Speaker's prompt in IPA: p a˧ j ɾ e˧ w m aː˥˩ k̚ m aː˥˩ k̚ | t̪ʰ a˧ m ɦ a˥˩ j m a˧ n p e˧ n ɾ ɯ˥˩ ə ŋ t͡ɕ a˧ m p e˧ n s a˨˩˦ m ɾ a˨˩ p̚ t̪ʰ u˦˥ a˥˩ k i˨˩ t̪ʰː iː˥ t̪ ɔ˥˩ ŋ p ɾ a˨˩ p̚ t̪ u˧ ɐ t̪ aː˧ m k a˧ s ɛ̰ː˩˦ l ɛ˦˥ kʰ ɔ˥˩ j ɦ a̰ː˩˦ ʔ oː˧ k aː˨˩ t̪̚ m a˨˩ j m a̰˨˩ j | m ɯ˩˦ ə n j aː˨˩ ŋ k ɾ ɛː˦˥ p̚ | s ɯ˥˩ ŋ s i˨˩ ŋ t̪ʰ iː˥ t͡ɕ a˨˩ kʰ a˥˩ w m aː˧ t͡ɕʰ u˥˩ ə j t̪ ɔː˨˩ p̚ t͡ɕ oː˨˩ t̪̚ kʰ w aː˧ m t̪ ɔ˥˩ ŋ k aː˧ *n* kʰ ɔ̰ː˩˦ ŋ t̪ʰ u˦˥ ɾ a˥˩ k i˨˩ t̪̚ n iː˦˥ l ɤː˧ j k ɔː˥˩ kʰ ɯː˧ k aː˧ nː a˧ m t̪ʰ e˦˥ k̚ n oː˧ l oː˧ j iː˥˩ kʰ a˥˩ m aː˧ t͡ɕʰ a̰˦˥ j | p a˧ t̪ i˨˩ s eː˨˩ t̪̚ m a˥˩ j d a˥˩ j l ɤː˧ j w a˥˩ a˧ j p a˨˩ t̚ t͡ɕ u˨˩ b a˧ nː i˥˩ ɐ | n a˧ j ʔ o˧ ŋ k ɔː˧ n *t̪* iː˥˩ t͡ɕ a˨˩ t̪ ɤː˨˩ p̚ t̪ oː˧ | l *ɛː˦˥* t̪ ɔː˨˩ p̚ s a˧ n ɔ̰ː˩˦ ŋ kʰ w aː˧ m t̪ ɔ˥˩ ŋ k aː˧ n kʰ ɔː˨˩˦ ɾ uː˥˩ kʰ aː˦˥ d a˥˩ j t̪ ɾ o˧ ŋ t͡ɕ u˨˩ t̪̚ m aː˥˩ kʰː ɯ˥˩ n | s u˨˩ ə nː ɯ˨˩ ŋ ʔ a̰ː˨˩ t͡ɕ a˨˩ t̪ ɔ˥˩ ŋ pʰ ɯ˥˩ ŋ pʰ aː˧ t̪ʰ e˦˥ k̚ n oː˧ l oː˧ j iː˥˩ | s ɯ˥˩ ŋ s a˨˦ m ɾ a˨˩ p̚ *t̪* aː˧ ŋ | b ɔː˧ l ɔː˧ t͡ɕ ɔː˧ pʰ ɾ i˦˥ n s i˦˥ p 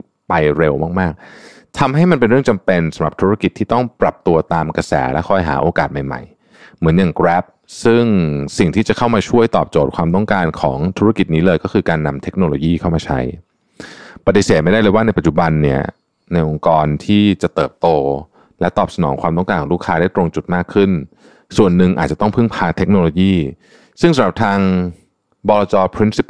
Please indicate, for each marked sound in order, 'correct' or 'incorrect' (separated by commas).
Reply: correct, incorrect, incorrect, incorrect